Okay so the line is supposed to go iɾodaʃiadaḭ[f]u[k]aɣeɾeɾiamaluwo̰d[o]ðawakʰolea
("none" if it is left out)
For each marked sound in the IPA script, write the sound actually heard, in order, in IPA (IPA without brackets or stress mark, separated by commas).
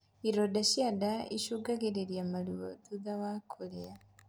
ʃ, ɡ, u